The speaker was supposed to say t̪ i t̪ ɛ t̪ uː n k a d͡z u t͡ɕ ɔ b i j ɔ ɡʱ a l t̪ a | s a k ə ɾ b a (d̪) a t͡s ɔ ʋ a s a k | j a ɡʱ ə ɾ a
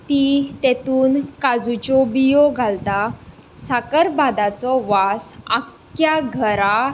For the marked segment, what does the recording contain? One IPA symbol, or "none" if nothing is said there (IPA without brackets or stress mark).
d̪